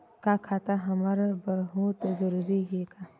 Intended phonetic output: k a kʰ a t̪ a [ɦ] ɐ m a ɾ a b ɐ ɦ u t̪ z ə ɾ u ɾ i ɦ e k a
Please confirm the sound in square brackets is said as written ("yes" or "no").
yes